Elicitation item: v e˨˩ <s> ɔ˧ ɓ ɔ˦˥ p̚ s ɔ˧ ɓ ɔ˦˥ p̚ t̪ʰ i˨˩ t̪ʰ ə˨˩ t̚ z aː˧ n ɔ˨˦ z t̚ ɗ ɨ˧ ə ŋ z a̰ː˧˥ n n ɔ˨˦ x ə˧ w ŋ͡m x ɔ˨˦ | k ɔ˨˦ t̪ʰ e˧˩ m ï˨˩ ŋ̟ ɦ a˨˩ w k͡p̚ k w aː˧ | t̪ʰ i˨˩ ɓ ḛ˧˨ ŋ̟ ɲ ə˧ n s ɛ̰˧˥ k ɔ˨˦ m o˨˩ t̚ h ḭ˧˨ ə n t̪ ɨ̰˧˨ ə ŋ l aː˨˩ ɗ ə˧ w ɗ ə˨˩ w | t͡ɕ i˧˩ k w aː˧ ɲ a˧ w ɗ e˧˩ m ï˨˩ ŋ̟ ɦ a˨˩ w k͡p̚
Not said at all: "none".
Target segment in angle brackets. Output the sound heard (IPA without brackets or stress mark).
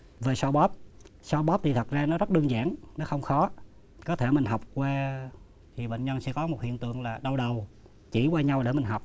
s